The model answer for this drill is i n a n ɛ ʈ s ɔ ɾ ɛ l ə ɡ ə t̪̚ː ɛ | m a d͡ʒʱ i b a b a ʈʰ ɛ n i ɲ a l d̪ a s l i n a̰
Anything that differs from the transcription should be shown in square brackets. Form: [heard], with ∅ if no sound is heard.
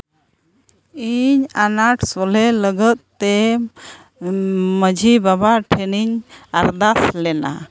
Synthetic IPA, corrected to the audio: i [ɲ] a n [a] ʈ s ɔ [l] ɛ l ə ɡ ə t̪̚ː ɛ | m [ə] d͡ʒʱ i b a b a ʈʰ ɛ n i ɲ a [ɾ] d̪ a s l [ɛ] n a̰